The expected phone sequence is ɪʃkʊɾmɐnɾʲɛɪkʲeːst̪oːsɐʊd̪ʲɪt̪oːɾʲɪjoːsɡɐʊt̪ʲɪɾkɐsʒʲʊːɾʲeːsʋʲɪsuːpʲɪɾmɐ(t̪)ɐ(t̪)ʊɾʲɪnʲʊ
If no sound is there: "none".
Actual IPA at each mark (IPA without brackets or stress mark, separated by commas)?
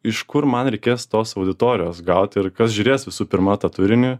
t̪, t̪